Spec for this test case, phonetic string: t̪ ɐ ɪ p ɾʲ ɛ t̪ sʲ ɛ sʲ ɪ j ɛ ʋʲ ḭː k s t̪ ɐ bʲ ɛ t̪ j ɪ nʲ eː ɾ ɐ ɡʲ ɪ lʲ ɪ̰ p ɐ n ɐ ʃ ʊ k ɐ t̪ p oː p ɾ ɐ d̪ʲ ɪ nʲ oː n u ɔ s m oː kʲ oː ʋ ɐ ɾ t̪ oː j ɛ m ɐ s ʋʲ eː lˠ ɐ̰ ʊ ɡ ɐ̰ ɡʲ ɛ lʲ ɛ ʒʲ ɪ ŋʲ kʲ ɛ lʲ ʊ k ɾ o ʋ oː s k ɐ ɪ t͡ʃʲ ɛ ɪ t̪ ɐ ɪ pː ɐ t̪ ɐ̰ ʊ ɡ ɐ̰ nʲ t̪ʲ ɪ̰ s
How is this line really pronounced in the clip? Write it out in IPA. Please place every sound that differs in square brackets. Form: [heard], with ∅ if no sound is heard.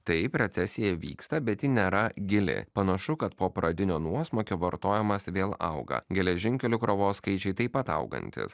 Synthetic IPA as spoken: t̪ ɐ ɪ p ɾʲ ɛ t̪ sʲ ɛ sʲ ɪ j ɛ ʋʲ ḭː k s t̪ ɐ bʲ ɛ t̪ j ɪ nʲ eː ɾ ɐ ɡʲ ɪ lʲ ɪ̰ p ɐ n ɐ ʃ ʊ k ɐ t̪ p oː p ɾ ɐ d̪ʲ ɪ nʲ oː n u ɔ s m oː kʲ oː ʋ ɐ ɾ t̪ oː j ɛ m ɐ s ʋʲ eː lˠ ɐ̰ ʊ ɡ ɐ̰ ɡʲ ɛ lʲ ɛ ʒʲ ɪ ŋʲ kʲ ɛ lʲ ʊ k ɾ o ʋ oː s k ɐ ɪ t͡ʃʲ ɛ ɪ t̪ ɐ ɪ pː ɐ t̪ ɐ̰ ʊ ɡ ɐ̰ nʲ t̪ʲ ɪ̰ s